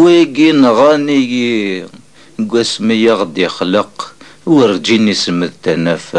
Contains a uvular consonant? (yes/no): yes